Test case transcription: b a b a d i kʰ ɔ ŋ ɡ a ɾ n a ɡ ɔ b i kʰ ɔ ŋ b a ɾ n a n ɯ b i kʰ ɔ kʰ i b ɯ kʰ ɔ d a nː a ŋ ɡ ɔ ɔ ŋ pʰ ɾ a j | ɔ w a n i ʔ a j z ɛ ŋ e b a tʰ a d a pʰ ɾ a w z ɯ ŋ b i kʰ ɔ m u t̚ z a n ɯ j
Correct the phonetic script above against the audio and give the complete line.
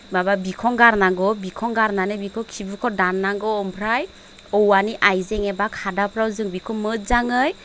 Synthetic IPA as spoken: b a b a b i kʰ ɔ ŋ ɡ a ɾ n a ɡ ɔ b i kʰ ɔ ŋ ɡ a ɾ n a n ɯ b i kʰ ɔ kʰ i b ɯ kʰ ɔ d a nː a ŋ ɡ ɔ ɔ m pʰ ɾ a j | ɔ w a n i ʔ a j z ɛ ŋ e b a kʰ a d a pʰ ɾ a w z ɯ ŋ b i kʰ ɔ m ɯ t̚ z a ŋ ɯ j

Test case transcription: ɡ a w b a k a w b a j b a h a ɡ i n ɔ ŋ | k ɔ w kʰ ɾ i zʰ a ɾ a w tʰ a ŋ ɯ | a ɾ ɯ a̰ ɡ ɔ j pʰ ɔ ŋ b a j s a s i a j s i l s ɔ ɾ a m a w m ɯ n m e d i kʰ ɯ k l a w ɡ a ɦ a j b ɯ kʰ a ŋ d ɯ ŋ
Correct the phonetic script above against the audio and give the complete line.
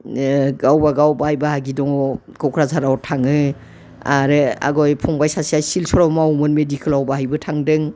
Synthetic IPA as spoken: ɡ a w b a ɡ a w b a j b a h a ɡ i d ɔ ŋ | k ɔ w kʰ ɾ a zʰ a ɾ a w tʰ a ŋ ɯ | a ɾ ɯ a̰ ɡ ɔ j pʰ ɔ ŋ b a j s a s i a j s i l s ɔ ɾ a m a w m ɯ n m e d i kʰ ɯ l a w b a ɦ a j b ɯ tʰ a ŋ d ɯ ŋ

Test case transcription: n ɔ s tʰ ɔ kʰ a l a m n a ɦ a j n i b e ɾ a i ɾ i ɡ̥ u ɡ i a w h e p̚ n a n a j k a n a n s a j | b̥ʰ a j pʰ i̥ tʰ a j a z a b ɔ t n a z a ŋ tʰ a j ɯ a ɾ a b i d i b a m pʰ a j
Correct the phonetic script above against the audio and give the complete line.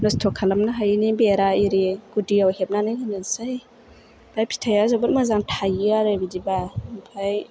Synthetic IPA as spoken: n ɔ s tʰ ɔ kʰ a l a m n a ɦ a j n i b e ɾ a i ɾ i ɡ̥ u d i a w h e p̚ n a n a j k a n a n s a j | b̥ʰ a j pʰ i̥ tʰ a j a z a b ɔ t m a z a ŋ tʰ a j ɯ a ɾ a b i d i b a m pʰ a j

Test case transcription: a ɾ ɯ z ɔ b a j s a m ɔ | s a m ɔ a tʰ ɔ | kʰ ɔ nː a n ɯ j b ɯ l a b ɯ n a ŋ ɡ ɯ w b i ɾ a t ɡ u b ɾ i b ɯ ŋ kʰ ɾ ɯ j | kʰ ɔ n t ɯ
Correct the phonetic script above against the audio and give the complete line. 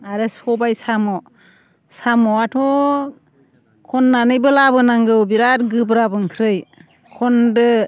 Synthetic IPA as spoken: a ɾ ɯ s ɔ b a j s a m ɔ | s a m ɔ a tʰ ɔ | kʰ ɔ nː a n ɯ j b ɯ l a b ɯ n a ŋ ɡ ɯ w b i ɾ a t ɡ ɯ b ɾ a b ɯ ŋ kʰ ɾ ɯ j | kʰ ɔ n d ɯ

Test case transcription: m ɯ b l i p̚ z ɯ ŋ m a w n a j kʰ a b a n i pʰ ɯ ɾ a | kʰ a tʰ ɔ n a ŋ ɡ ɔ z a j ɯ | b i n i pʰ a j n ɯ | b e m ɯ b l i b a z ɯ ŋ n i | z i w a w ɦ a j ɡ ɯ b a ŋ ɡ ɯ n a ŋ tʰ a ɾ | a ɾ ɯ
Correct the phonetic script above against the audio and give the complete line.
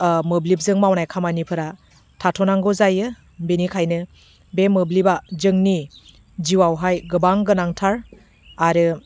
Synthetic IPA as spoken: m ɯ b l i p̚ z ɯ ŋ m a w n a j kʰ a m a n i pʰ ɯ ɾ a | tʰ a tʰ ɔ n a ŋ ɡ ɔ z a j ɯ | b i n i kʰ a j n ɯ | b e m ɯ b l i b a z ɯ ŋ n i | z i w a w ɦ a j ɡ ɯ b a ŋ ɡ ɯ n a ŋ tʰ a ɾ | a ɾ ɯ

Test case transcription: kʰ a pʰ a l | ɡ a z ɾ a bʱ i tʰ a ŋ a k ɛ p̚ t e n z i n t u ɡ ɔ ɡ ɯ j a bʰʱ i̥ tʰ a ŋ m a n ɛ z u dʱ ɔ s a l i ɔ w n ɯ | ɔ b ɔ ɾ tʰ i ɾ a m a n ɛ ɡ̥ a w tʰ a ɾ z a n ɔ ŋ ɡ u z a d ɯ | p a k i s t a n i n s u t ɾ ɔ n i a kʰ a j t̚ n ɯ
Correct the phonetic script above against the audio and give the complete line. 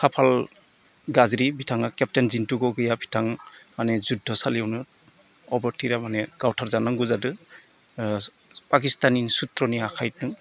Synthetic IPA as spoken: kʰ a pʰ a l | ɡ a z ɾ i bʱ i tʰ a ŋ a k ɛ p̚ t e n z i n t u ɡ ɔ ɡ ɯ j a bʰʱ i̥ tʰ a ŋ m a n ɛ z u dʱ ɔ s a l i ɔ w n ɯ | ɔ b ɔ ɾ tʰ i ɾ a m a n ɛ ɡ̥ a w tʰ a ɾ z a n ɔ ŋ ɡ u z a d ɯ | p a k i s t a n i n s u t ɾ ɔ n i a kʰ a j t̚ n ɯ

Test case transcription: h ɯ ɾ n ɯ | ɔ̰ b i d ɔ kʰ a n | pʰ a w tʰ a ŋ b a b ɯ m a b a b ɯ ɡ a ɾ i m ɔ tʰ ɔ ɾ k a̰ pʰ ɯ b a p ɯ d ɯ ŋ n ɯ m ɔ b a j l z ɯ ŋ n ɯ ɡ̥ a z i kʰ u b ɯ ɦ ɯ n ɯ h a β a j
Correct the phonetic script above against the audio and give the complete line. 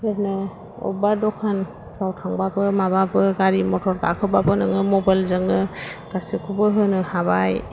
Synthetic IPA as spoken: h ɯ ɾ n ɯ | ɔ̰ b a d ɔ kʰ a n | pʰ a w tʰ a ŋ b a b ɯ m a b a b ɯ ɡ a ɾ i m ɔ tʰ ɔ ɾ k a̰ kʰ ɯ b a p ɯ n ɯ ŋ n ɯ m ɔ b a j l z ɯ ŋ n ɯ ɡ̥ a s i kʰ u b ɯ ɦ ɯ n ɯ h a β a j

